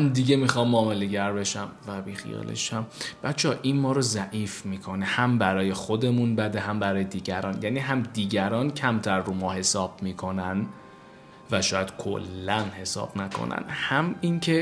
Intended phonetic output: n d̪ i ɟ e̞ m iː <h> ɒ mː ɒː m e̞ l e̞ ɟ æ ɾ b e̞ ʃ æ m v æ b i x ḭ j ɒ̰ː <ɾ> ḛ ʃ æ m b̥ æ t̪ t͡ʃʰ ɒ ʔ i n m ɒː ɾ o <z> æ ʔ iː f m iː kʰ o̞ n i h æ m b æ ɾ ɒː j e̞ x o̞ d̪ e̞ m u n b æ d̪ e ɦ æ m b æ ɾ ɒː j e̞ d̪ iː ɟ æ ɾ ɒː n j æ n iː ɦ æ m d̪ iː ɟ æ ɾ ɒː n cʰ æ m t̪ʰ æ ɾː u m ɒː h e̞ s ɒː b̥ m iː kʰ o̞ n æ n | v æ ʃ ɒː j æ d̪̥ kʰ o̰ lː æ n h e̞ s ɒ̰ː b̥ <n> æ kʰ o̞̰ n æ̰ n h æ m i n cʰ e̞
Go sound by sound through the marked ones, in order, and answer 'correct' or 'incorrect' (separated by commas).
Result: incorrect, incorrect, correct, correct